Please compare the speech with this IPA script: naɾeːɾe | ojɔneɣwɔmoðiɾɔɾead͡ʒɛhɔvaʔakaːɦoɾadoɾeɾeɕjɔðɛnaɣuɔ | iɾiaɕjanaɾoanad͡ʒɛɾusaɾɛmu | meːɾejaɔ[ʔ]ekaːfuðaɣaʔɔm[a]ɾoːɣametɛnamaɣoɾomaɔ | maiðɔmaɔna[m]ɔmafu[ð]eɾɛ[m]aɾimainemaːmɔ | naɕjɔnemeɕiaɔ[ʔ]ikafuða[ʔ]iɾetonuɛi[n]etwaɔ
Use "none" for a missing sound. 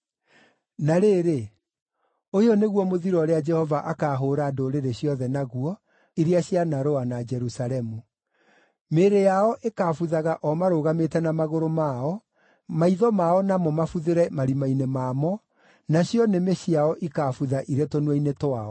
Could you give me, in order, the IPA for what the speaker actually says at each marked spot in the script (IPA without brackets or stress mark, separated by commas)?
ʔ, a, m, ð, m, ʔ, ʔ, n